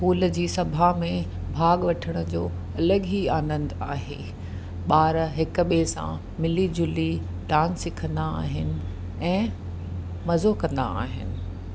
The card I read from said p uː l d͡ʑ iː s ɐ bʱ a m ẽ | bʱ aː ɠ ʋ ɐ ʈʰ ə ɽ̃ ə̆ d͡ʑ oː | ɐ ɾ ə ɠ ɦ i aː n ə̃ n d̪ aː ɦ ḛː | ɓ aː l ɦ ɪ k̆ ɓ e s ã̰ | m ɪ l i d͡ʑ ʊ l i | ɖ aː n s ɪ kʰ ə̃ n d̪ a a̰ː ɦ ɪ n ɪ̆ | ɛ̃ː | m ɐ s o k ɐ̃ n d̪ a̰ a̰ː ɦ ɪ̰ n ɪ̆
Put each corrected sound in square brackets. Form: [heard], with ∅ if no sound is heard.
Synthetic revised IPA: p uː l d͡ʑ iː s ɐ bʱ a m ẽ | bʱ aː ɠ ʋ ɐ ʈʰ ə ɽ̃ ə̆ d͡ʑ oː | ɐ [l] ə ɠ ɦ i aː n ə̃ n d̪ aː ɦ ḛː | ɓ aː [ɾ] ɦ ɪ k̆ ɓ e s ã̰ | m ɪ l i d͡ʑ ʊ l i | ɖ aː n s ɪ kʰ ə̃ n d̪ a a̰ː ɦ ɪ n ɪ̆ | ɛ̃ː | m ɐ [z] o k ɐ̃ n d̪ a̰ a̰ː ɦ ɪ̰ n ɪ̆